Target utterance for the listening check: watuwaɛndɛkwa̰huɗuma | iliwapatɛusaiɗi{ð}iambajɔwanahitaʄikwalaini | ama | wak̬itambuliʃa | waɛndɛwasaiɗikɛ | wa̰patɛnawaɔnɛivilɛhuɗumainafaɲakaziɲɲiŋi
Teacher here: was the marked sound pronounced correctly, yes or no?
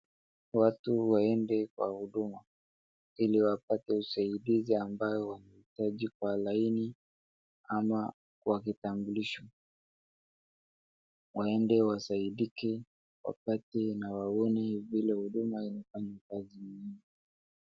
no